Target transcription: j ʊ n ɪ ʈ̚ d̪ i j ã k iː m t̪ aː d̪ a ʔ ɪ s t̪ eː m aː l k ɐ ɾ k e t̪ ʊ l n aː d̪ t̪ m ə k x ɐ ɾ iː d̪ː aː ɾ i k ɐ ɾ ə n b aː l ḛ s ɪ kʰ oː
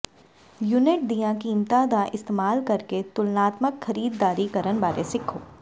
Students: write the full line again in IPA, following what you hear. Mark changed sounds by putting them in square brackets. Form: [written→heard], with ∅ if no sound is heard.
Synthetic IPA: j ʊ n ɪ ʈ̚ d̪ i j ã k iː m t̪ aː d̪ a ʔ ɪ s t̪ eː m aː l k ɐ ɾ k e t̪ ʊ l n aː [d̪→∅] t̪ m ə k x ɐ ɾ iː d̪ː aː ɾ i k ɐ ɾ ə n b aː [l→ɾ] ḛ s ɪ kʰ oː